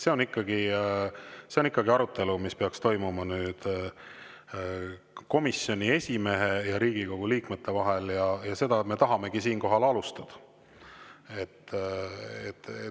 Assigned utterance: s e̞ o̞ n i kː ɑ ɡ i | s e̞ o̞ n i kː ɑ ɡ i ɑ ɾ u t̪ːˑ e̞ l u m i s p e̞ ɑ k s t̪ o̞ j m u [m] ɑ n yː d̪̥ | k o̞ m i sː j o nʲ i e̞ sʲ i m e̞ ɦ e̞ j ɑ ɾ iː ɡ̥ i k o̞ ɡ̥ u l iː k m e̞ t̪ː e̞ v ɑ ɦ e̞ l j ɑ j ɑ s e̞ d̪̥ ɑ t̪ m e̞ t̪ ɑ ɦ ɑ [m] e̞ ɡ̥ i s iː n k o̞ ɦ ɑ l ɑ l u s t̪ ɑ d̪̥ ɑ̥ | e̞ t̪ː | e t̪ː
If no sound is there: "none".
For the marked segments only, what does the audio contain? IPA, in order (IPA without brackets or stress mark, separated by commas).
m, m